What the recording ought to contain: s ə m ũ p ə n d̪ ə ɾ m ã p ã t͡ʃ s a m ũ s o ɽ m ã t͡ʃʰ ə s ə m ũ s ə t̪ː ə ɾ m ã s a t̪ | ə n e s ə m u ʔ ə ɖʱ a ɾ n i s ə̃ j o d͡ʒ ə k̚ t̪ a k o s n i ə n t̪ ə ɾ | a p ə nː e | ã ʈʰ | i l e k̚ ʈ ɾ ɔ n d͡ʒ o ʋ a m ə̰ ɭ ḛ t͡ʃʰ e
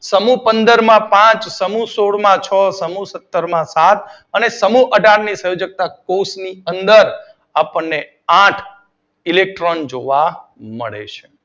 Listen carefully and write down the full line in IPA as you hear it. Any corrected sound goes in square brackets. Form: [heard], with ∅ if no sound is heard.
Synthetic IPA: s ə m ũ p ə n d̪ ə ɾ m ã p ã t͡ʃ s [ə] m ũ s o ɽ m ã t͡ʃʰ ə s ə m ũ s ə t̪ː ə ɾ m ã s a t̪ | ə n e s ə m u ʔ ə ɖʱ a ɾ n i s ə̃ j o d͡ʒ ə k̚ t̪ a k o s n i ə n [d̪] ə ɾ | a p ə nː e | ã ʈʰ | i l e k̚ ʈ ɾ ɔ n d͡ʒ o ʋ a m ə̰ ɭ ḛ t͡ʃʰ e

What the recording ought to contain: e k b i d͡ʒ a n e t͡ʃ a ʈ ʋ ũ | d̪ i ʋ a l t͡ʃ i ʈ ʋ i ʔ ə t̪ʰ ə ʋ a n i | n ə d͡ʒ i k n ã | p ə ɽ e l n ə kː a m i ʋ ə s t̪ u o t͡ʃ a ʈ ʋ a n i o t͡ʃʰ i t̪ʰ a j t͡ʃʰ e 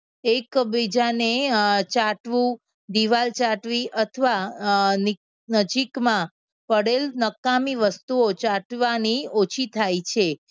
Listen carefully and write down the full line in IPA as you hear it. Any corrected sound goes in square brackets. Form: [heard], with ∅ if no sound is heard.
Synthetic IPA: e k b i d͡ʒ a n e t͡ʃ a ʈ ʋ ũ | d̪ i ʋ a l t͡ʃ [a] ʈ ʋ i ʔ ə t̪ʰ ə ʋ a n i | n ə d͡ʒ i k [m] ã | p ə ɽ e l n ə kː a m i ʋ ə s t̪ u o t͡ʃ a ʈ ʋ a n i o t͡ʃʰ i t̪ʰ a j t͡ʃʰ e

